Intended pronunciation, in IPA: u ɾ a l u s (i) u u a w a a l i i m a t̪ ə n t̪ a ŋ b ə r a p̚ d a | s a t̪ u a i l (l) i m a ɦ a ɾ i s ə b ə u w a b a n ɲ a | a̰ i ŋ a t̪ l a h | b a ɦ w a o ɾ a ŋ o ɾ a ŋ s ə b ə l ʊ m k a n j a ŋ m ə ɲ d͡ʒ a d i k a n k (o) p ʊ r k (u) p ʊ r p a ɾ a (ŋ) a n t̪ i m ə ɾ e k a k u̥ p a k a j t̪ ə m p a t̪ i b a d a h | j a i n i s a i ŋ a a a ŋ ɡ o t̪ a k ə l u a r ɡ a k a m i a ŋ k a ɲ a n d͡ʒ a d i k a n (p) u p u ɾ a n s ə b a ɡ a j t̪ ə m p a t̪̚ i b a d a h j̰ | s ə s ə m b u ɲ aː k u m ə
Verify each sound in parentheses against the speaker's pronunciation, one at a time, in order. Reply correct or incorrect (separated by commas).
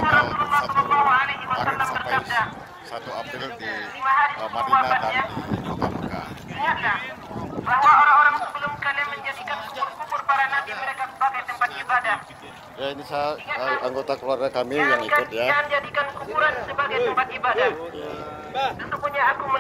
incorrect, correct, incorrect, correct, incorrect, incorrect